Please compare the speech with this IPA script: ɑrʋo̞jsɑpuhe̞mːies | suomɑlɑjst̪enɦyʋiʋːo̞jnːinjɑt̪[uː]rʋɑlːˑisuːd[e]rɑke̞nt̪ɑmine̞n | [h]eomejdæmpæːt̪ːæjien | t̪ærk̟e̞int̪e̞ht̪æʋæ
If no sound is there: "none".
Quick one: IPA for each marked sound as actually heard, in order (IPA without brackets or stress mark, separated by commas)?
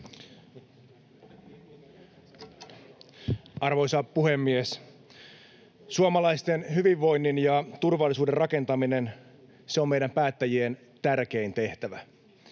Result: u, e, s